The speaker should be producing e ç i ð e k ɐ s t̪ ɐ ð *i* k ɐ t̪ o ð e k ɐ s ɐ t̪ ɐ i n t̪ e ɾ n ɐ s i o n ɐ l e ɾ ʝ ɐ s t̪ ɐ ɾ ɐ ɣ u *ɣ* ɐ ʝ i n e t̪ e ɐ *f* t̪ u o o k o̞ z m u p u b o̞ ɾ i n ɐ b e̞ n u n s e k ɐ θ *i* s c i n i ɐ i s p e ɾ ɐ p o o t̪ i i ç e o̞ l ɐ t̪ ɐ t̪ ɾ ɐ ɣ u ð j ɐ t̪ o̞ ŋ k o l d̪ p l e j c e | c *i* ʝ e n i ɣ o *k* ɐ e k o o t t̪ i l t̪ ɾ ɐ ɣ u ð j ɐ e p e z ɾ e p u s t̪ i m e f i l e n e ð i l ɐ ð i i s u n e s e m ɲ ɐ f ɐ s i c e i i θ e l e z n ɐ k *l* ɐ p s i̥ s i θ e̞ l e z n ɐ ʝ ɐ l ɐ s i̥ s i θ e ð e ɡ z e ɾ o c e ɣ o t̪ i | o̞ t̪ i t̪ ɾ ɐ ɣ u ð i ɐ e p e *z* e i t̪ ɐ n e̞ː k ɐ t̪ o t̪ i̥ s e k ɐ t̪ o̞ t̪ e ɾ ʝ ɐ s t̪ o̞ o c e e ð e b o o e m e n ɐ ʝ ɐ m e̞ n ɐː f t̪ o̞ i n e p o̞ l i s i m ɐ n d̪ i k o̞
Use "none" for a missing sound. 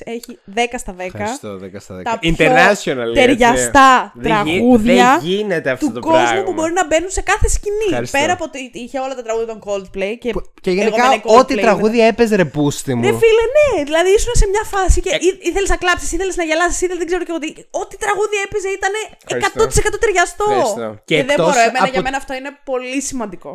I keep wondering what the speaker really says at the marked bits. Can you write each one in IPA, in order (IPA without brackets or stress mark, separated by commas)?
e, ð, f, e, e, k, l, z